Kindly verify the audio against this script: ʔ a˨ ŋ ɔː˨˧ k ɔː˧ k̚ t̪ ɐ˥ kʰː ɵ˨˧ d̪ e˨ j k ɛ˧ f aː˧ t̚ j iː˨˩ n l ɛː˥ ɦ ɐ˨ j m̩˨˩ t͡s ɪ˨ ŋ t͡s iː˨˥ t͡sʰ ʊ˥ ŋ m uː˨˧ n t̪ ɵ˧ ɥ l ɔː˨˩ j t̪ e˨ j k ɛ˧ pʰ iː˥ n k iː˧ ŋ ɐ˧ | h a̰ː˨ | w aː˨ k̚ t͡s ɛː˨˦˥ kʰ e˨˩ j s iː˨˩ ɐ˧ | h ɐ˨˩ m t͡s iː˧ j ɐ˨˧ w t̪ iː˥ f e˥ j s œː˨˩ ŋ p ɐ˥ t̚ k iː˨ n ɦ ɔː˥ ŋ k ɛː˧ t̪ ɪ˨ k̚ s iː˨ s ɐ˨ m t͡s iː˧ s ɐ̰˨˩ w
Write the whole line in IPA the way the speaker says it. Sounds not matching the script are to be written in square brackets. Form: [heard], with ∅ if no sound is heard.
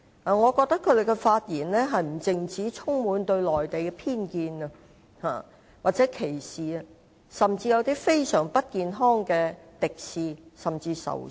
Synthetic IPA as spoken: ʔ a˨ ŋ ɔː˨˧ k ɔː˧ k̚ t̪ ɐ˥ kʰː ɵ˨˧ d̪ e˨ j k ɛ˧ f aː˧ t̚ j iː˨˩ n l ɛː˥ ɦ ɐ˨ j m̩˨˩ t͡s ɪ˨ ŋ t͡s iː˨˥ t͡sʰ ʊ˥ ŋ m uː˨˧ n t̪ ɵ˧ ɥ l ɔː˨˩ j t̪ e˨ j k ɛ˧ pʰ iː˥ n k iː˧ [n] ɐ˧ | h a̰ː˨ | w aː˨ [t̚] t͡s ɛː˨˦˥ kʰ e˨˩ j s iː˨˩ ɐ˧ | [s] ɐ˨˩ m t͡s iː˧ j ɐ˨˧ w t̪ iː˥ f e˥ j s œː˨˩ ŋ p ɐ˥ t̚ k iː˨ n ɦ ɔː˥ ŋ k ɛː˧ t̪ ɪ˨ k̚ s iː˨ s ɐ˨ m t͡s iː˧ s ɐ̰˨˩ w